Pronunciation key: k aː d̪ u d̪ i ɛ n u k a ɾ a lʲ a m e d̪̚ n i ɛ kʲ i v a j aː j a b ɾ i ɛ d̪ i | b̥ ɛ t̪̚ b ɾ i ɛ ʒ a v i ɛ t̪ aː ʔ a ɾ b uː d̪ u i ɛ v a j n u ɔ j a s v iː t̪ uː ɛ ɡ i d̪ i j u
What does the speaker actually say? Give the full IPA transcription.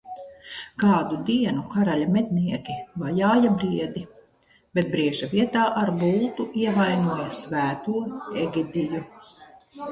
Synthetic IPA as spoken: k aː d̪ u d̪ i ɛ n u k a ɾ a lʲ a m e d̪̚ n i ɛ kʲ i v a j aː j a b ɾ i ɛ d̪ i | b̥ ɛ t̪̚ b ɾ i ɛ ʒ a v i ɛ t̪ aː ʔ a ɾ b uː t̪ u i ɛ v a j n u ɔ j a s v æː t̪ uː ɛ ɡ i d̪ i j u